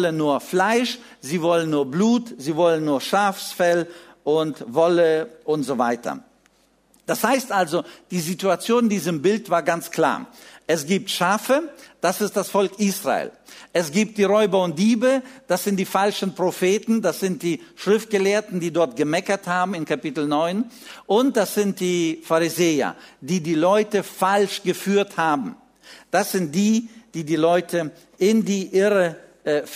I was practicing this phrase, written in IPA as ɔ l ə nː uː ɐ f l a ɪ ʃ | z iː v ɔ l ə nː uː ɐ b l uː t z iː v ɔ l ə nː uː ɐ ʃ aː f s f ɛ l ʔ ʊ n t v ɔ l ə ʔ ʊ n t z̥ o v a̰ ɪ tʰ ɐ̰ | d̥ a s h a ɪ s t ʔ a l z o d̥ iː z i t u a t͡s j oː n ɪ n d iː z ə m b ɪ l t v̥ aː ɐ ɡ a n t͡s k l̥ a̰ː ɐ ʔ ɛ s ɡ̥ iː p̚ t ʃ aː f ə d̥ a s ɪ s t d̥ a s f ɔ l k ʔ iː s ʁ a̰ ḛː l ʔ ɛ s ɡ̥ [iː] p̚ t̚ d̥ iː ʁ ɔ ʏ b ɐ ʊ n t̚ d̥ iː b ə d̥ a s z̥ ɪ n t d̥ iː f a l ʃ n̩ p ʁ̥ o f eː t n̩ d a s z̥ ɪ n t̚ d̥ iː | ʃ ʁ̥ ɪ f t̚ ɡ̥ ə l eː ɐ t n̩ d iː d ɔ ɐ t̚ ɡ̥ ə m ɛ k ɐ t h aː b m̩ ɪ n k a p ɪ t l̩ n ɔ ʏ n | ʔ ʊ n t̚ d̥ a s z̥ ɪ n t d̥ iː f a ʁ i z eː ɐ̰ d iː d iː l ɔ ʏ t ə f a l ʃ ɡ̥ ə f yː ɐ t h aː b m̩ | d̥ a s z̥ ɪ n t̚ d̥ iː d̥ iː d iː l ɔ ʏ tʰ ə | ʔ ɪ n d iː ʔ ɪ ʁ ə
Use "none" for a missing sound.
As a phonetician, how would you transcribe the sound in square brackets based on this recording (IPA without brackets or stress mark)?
iː